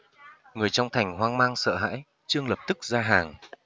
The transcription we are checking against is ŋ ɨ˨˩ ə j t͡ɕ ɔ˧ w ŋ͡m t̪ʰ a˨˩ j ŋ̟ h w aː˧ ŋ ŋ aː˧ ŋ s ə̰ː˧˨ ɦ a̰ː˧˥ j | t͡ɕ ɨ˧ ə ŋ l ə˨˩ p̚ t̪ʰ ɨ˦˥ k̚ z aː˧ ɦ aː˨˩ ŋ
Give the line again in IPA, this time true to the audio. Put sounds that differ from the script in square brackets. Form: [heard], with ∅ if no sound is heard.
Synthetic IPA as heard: ŋ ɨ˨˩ ə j t͡ɕ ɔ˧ w ŋ͡m t̪ʰ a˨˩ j ŋ̟ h w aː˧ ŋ [m] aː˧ ŋ s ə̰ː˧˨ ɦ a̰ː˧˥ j | t͡ɕ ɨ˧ ə ŋ l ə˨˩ p̚ [t̪] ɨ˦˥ k̚ z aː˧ ɦ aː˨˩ ŋ